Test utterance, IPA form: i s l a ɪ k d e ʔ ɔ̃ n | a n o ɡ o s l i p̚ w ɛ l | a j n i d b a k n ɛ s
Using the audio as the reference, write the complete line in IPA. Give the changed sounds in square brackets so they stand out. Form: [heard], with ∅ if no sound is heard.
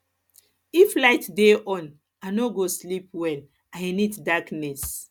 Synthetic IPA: i [f] l a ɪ [t] d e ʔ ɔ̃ n | a n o ɡ o s l i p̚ w ɛ l | a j n i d [d] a k n ɛ s